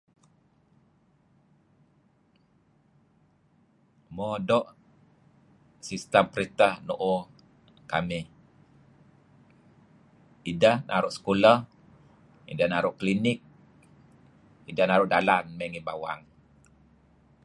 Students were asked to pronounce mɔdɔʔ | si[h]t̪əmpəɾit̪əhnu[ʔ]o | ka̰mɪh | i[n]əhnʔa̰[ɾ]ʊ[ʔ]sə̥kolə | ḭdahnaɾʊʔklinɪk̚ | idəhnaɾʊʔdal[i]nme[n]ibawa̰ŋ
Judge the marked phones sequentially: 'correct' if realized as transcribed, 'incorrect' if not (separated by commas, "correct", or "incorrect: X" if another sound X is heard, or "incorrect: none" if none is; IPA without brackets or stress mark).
incorrect: s, correct, incorrect: d, correct, correct, incorrect: a, incorrect: ŋ